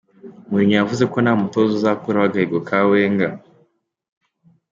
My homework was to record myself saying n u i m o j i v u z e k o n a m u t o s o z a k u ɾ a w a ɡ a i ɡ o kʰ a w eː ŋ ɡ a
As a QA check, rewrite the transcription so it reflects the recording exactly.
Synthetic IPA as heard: m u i ɲ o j a v u z e k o n a m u t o z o z a k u ɾ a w a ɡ a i ɡ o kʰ a w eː ŋ ɡ a